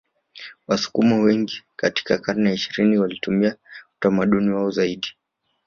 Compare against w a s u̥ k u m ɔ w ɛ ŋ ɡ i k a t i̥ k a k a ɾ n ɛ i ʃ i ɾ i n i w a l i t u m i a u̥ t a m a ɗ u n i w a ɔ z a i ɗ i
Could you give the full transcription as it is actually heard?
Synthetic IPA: w a s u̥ k u m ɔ w ɛ ŋ ɡ i k a t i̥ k a k a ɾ n ɛ i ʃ i ɾ i n i w a l i t u m i a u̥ t a m a ɗ u n i w a ɔ z a i ɗ i